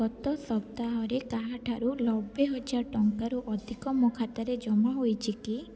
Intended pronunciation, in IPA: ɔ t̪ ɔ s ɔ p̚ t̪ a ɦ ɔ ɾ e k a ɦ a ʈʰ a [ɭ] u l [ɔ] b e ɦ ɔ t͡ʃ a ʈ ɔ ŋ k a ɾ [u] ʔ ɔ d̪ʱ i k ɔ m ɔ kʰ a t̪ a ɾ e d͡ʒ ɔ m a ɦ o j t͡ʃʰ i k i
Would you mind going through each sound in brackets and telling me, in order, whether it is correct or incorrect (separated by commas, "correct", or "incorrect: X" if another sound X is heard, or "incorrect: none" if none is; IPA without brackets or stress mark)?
incorrect: ɾ, correct, correct